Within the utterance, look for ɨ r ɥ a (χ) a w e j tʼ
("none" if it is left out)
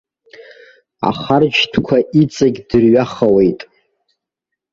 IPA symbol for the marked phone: χ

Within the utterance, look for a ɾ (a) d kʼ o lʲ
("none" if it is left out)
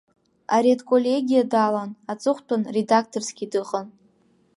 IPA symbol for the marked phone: e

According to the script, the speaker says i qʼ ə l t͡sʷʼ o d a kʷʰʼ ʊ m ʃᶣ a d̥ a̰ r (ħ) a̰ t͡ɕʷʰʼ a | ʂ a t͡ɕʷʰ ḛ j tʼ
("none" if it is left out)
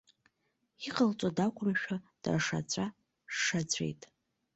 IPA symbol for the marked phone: ʂ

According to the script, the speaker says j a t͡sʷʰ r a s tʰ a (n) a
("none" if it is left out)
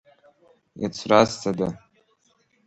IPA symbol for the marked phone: d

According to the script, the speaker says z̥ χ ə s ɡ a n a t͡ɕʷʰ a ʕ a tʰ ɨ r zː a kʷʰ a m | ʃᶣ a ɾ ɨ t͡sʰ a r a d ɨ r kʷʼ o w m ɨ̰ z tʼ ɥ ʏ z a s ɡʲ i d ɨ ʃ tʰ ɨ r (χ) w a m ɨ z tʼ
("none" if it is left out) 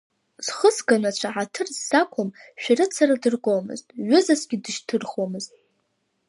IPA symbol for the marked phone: χ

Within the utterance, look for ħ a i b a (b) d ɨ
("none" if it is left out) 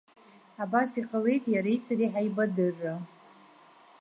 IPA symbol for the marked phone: none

